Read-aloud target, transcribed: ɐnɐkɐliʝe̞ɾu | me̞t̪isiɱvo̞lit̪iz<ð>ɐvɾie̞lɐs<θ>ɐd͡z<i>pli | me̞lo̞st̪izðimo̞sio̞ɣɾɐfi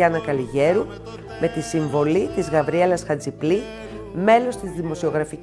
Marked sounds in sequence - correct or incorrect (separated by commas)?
incorrect, incorrect, correct